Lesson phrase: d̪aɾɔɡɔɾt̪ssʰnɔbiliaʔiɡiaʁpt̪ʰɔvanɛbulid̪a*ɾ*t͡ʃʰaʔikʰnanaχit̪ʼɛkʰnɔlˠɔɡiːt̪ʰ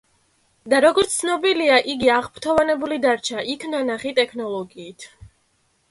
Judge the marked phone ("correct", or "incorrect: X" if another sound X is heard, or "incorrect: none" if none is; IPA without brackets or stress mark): correct